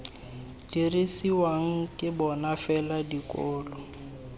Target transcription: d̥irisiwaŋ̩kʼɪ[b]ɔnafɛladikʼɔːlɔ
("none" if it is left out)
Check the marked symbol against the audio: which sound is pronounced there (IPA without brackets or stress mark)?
b